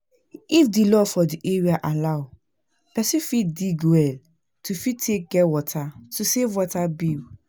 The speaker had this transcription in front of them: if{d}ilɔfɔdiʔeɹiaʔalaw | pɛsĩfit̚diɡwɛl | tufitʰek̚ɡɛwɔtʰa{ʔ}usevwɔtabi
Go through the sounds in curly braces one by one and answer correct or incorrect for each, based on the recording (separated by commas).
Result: correct, incorrect